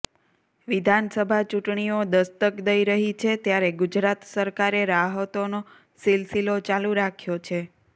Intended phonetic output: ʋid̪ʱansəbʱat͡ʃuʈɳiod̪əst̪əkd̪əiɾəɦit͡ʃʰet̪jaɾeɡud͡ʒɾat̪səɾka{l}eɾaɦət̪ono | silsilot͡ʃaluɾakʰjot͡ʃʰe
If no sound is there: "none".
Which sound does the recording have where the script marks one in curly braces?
ɾ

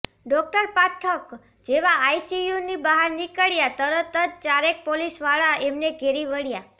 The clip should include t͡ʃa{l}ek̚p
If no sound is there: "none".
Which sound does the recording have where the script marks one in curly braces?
ɾ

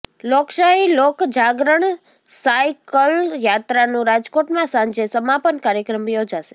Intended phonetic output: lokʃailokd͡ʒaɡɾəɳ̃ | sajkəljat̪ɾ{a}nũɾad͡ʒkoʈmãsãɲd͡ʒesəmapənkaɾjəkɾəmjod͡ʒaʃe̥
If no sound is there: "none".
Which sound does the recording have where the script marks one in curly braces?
a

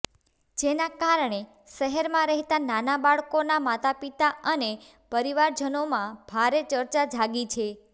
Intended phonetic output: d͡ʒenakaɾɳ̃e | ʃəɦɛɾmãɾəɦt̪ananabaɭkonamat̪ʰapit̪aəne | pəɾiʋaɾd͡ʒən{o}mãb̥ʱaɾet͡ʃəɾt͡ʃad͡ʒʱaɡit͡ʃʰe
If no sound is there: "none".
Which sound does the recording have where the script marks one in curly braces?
o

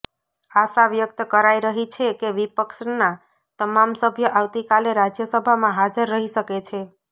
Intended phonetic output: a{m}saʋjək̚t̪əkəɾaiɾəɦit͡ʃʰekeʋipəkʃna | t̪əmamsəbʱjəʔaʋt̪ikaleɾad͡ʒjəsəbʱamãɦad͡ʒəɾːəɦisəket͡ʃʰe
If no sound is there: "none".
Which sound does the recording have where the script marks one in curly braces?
none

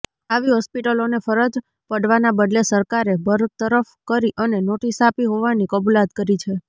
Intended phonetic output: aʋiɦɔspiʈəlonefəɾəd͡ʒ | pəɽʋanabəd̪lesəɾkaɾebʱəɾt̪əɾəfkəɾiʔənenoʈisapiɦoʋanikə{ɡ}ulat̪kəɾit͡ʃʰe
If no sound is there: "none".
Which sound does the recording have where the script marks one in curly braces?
b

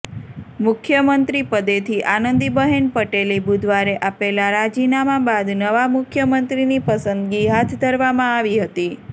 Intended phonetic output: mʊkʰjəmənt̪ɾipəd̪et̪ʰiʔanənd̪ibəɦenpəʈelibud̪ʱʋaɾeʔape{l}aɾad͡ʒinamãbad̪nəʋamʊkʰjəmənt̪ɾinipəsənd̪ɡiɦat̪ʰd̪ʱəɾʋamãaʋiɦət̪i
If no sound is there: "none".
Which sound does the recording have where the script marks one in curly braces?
l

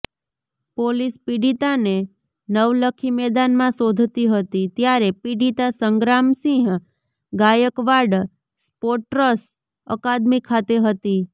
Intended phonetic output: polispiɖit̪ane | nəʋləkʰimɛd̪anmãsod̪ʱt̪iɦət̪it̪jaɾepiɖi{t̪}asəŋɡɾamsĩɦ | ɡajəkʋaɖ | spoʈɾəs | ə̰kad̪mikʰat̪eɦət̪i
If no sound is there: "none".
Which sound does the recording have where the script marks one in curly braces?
t̪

